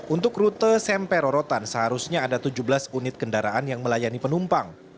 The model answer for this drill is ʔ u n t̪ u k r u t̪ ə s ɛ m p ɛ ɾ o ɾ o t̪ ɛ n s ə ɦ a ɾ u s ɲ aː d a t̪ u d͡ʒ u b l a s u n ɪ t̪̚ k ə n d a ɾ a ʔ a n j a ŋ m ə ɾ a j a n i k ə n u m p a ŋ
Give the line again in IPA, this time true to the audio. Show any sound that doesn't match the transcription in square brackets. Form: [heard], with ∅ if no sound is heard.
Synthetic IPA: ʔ u n t̪ [ʊ] k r u t̪ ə s ɛ m p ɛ ɾ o ɾ o t̪ [a] n s ə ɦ a ɾ u s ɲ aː d a t̪ u d͡ʒ u b l a s u n ɪ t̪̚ k ə n d a ɾ a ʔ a n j a ŋ m ə [l] a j a n i [p] ə n u m p a ŋ